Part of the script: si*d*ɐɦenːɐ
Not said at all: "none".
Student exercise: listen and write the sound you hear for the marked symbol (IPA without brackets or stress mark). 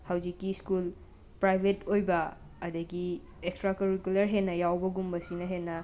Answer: n